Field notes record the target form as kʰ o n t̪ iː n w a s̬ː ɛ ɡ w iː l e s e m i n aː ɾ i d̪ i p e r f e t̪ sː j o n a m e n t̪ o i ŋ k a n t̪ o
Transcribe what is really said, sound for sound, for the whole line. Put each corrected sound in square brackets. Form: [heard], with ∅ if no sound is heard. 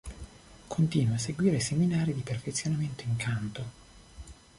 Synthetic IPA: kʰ o n t̪ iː n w a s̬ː [e] ɡ w iː [ɾ] e s e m i n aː ɾ i d̪ i p e r f e t̪ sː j o n a m e n t̪ o i ŋ k a n t̪ o